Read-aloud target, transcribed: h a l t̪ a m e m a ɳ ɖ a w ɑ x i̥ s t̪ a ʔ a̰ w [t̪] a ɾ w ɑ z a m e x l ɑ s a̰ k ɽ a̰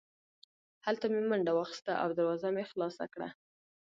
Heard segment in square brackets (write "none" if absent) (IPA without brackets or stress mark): d̪